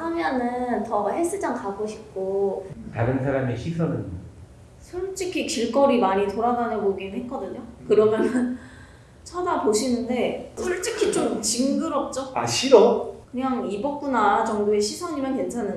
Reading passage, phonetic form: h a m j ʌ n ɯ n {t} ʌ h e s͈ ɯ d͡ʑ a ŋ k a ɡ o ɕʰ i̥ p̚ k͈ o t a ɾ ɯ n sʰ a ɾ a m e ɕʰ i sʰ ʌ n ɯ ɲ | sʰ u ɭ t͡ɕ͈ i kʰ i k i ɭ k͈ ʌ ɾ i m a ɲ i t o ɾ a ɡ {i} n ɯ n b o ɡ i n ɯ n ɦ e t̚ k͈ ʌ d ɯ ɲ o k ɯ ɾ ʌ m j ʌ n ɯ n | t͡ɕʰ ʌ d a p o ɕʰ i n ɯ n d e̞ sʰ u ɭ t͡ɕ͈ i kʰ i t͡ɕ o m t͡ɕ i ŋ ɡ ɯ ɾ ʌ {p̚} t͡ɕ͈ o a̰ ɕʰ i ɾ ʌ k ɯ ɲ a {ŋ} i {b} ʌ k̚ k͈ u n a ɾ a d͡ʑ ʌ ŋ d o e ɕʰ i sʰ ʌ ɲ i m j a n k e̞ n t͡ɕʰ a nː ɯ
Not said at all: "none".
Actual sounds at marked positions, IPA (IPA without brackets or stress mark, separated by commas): t, a, p̚, ŋ, b